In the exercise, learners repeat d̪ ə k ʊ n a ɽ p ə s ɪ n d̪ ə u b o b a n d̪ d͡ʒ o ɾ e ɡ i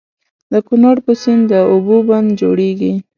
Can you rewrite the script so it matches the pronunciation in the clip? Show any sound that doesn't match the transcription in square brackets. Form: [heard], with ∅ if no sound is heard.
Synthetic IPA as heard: d̪ ə k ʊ n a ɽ p ə s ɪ n d̪ ə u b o b a n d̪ d͡ʒ o [ɽ] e ɡ i